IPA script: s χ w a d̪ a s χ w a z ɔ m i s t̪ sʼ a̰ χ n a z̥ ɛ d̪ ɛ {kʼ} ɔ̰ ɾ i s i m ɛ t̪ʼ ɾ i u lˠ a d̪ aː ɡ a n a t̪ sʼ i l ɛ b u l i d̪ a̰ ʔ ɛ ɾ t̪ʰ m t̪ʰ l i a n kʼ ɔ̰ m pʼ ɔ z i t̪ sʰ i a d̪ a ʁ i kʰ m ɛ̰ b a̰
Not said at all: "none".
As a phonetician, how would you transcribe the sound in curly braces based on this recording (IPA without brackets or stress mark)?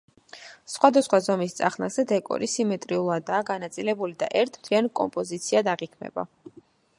kʼ